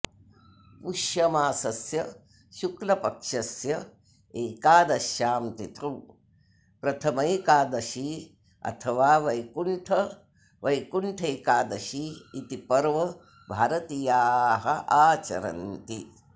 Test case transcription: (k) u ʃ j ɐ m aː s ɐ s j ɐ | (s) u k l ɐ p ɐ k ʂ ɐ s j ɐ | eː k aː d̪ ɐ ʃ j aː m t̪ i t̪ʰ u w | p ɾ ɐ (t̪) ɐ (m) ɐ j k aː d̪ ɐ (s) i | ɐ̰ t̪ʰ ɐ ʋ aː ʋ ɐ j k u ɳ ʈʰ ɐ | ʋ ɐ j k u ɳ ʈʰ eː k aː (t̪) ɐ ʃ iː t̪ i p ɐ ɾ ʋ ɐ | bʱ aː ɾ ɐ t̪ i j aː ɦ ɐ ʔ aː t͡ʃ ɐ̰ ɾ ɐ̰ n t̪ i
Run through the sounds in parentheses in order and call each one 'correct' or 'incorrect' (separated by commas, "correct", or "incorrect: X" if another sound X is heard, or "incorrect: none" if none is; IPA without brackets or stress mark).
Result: incorrect: p, incorrect: ʃ, incorrect: t̪ʰ, correct, incorrect: ʃ, incorrect: d̪